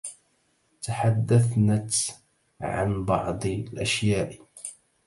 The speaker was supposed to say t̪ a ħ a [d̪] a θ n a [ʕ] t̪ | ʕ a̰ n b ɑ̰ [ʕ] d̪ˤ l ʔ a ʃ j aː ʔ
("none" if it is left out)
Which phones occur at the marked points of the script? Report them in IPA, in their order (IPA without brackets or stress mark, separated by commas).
d̪ː, none, ʕ